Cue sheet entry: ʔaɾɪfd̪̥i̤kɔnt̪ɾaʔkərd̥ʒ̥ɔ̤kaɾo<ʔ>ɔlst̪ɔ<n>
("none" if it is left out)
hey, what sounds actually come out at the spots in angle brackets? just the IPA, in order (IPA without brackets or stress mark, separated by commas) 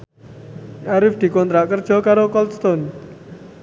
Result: k, n